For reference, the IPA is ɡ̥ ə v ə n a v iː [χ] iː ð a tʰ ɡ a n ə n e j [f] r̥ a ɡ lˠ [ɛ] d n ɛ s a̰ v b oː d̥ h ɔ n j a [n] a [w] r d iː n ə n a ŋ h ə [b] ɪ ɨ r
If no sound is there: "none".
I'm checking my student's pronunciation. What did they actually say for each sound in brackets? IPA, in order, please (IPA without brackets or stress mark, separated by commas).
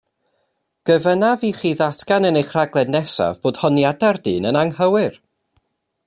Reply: χ, χ, ɛ, d, none, w